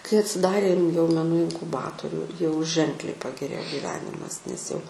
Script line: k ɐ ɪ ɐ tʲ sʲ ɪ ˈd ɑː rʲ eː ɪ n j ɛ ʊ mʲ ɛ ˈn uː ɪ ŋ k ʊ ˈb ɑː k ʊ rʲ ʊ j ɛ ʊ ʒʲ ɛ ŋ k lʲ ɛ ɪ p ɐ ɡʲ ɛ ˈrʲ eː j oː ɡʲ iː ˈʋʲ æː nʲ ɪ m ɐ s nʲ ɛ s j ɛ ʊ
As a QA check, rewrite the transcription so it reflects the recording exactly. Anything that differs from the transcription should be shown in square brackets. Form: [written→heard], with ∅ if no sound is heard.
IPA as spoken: k ɐ ɪ ɐ tʲ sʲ ɪ ˈd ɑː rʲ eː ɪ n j ɛ ʊ mʲ ɛ ˈn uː ɪ ŋ k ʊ ˈb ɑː [k→t] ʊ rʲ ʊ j ɛ ʊ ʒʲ ɛ ŋ k lʲ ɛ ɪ p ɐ ɡʲ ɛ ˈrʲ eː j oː ɡʲ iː ˈʋʲ æː nʲ ɪ m ɐ s nʲ ɛ s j ɛ ʊ